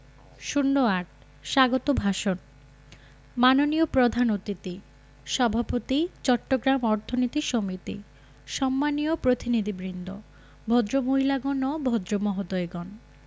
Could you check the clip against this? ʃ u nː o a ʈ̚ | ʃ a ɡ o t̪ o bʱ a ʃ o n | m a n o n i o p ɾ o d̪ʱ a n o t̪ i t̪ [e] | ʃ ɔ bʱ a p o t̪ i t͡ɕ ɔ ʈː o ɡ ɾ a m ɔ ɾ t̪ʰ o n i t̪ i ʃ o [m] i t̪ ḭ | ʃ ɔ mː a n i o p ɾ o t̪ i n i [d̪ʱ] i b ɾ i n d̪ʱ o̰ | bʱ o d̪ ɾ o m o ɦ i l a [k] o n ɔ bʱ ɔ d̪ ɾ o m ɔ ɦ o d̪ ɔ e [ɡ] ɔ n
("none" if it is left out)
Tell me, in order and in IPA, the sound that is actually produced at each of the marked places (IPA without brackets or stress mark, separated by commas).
i, m, d̪ʱ, ɡ, ɡ